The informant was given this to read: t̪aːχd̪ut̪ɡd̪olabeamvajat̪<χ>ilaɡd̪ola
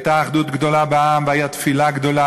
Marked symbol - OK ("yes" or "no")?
no